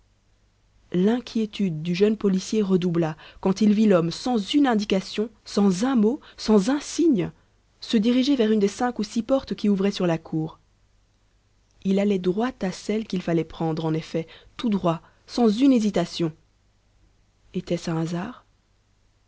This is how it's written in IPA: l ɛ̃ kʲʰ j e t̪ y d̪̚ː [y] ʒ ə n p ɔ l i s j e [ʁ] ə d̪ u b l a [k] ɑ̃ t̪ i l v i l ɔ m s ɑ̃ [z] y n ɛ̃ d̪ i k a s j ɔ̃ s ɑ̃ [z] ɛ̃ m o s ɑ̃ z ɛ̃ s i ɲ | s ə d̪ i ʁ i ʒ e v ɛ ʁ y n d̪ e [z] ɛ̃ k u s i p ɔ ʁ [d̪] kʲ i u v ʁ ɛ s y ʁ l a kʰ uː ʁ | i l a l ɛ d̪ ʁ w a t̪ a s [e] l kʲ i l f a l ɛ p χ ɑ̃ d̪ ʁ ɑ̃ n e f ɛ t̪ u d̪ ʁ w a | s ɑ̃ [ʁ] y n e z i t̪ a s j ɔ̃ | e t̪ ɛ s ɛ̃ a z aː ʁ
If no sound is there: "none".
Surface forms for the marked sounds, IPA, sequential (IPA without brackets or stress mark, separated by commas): y, ʁ, k, z, z, s, t̪, ɛ, z